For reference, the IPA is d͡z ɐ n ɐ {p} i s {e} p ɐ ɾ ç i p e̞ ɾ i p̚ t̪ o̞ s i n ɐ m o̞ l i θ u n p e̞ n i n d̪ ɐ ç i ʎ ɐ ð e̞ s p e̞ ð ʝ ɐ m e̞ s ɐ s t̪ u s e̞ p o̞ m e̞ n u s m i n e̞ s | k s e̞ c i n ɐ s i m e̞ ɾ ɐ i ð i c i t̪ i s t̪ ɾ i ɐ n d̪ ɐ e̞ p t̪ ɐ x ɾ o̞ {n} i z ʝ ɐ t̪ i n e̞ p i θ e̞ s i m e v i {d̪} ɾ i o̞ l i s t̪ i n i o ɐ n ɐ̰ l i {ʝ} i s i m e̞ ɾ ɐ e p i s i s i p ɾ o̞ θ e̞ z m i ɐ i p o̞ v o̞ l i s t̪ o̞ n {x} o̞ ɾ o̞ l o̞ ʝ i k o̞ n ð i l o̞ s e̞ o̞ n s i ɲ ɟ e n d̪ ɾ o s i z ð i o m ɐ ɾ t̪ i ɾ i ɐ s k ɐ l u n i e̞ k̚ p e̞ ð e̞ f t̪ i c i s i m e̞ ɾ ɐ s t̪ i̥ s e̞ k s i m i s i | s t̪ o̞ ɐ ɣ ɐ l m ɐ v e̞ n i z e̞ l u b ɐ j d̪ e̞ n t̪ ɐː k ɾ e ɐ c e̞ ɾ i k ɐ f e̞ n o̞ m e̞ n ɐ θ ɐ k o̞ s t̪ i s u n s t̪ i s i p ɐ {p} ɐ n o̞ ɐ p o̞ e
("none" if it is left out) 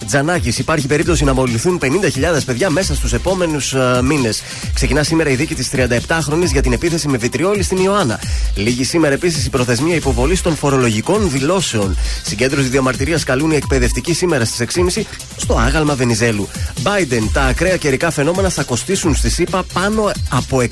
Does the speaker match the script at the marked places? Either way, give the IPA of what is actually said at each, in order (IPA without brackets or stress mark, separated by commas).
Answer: c, i, n, t̪, ʝ, f, p